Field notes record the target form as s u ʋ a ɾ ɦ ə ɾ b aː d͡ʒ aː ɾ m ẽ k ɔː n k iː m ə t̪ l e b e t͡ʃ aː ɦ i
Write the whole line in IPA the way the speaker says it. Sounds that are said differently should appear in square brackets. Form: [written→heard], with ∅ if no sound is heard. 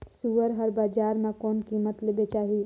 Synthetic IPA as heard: s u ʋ [a→ə] ɾ ɦ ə ɾ b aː d͡ʒ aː ɾ m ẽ k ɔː n k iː m ə t̪ l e b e t͡ʃ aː ɦ i